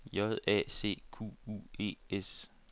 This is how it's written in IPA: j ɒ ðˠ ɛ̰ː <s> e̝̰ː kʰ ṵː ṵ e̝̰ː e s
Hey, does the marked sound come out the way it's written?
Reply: yes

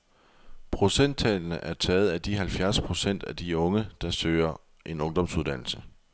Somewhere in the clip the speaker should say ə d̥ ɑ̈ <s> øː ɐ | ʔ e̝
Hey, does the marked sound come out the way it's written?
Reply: yes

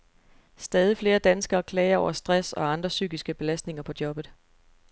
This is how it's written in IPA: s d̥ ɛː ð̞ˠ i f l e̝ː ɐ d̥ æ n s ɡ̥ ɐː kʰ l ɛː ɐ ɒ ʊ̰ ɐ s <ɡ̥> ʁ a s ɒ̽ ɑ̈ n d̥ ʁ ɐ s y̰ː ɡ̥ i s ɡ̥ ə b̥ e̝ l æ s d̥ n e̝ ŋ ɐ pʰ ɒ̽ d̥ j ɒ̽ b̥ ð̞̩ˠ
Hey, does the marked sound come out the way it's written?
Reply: no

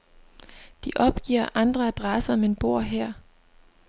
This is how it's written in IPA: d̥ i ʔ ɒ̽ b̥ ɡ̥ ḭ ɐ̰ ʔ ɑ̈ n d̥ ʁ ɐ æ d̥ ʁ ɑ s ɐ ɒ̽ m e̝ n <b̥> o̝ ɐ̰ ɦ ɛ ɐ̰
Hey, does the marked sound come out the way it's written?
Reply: yes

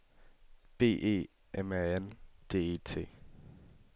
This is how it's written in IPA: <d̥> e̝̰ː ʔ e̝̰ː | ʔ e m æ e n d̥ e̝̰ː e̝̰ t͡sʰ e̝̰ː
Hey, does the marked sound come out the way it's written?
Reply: no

